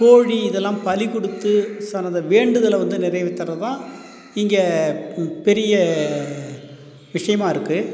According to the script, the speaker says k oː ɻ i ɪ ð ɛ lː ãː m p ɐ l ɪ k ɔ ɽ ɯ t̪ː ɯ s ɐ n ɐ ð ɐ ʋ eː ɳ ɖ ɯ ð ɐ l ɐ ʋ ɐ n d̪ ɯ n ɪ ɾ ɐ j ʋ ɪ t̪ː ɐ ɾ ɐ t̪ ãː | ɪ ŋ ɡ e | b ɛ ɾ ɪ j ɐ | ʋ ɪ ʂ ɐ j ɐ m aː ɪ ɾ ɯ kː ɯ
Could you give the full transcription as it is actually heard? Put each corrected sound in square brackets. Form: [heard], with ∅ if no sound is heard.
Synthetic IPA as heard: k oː ɻ i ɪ ð ɛ lː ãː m p ɐ l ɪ k ɔ ɽ ɯ t̪ː ɯ s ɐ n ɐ ð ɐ ʋ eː ɳ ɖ ɯ ð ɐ l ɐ ʋ ɐ n d̪ ɯ n ɪ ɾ ɐ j ʋ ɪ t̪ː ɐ ɾ ɐ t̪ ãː | ɪ ŋ ɡ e | [p] ɛ ɾ ɪ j ɐ | ʋ ɪ ʂ ɐ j ɐ m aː ɪ ɾ ɯ kː ɯ